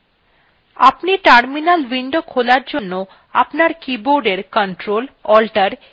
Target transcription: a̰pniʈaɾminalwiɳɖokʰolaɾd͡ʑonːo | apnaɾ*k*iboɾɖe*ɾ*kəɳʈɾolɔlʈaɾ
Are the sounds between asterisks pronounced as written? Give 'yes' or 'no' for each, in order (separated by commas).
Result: yes, yes